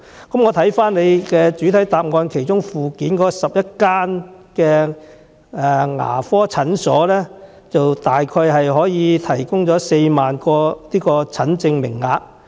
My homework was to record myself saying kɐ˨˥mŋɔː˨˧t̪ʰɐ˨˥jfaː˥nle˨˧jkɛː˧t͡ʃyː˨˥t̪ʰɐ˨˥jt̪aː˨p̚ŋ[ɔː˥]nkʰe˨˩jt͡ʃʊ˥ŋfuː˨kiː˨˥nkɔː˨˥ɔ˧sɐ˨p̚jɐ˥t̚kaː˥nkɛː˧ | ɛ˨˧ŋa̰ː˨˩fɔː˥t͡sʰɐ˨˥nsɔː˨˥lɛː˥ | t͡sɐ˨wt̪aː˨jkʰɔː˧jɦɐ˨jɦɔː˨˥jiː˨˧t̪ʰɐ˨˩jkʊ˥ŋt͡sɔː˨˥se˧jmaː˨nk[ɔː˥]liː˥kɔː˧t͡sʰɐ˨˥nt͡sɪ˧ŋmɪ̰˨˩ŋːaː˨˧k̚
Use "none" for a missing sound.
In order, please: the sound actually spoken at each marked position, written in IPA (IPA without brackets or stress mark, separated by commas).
ɔː˧, ɔː˧